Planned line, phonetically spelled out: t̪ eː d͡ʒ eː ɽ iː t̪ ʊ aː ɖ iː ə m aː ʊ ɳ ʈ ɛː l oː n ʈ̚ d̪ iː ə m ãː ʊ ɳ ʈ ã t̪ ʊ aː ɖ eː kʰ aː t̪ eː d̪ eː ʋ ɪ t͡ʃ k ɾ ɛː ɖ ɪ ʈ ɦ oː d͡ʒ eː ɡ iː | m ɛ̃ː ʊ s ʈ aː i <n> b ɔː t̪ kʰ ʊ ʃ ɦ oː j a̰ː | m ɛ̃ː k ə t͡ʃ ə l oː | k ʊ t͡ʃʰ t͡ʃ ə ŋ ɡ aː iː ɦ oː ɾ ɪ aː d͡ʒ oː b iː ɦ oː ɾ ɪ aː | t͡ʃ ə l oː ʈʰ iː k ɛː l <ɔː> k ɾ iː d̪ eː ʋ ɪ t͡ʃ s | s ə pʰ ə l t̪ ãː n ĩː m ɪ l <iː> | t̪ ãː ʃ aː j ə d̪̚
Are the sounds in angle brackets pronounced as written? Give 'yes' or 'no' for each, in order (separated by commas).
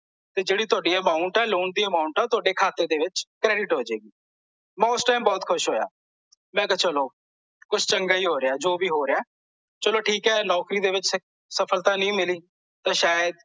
no, yes, yes